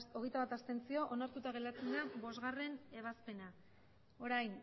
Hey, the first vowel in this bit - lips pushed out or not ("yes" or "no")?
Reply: yes